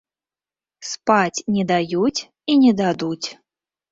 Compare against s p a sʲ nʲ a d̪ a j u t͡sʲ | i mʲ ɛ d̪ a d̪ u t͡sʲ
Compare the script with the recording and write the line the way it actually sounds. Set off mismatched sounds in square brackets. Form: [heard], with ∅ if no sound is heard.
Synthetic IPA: s p a [t͡sʲ] nʲ [ɛ] d̪ a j u t͡sʲ | i [nʲ] ɛ d̪ a d̪ u t͡sʲ